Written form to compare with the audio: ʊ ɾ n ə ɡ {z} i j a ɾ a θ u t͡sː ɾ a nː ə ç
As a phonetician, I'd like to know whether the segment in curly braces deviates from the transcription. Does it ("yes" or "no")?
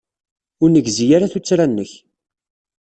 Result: no